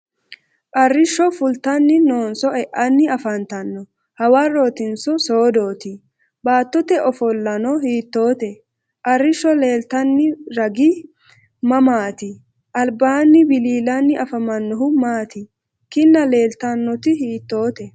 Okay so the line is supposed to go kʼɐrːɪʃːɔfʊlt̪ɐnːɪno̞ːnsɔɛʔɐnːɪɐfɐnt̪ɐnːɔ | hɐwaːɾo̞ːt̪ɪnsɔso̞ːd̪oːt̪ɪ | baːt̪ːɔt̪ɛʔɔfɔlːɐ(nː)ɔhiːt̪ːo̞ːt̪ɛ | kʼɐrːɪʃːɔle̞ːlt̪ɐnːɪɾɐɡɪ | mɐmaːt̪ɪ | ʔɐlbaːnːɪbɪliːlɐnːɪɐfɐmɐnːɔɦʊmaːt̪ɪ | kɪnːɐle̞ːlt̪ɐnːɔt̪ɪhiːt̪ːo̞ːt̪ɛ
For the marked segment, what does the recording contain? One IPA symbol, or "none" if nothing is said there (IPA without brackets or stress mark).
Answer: n